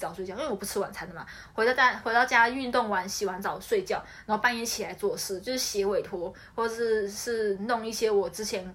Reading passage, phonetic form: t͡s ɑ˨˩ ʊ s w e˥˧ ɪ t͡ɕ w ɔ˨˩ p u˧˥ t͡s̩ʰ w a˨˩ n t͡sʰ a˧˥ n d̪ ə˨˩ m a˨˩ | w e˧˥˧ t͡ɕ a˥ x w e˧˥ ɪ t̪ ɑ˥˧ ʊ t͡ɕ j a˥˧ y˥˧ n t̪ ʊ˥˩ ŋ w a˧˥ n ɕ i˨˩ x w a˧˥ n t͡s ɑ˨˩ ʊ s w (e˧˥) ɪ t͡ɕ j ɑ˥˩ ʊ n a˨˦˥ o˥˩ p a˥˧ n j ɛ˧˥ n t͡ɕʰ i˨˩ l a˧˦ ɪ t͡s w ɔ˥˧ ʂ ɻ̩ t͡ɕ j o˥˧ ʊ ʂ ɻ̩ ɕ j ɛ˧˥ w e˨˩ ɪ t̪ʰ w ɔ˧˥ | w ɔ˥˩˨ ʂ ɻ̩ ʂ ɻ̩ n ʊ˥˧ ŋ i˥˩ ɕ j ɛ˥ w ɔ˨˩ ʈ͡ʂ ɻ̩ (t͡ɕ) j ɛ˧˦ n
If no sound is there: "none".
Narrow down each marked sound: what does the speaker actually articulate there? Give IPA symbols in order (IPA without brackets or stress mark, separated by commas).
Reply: e˥˧, t͡ɕʰ